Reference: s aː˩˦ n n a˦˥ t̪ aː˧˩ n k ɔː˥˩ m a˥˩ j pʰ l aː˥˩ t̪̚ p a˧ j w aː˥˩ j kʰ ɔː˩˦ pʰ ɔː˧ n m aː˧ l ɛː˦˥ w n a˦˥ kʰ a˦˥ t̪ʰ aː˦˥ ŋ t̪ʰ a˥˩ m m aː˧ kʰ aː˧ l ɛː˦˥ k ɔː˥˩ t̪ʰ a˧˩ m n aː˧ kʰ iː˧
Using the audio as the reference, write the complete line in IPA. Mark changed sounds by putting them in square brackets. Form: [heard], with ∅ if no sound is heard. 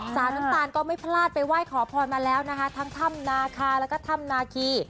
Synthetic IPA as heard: s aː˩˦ n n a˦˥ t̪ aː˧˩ n k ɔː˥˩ m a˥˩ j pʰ l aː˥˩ t̪̚ p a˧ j w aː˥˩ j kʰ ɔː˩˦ pʰ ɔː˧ n m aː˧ l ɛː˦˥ w n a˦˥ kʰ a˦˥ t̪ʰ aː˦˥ ŋ t̪ʰ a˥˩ m [n] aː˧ kʰ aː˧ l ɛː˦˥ k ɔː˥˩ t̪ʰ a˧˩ m n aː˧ kʰ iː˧